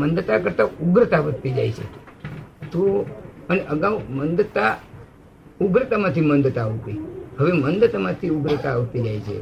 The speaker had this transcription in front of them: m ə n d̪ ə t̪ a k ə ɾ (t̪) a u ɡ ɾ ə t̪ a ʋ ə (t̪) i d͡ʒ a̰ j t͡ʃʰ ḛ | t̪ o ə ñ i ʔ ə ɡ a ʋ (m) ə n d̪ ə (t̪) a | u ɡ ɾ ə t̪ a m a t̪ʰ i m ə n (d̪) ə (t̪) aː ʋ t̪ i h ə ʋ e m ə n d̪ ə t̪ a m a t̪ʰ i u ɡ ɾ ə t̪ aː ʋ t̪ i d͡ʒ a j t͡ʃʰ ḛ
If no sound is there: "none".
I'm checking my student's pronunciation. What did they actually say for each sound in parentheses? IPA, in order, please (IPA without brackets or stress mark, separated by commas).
t̪, t̪, m, t̪, d̪, t̪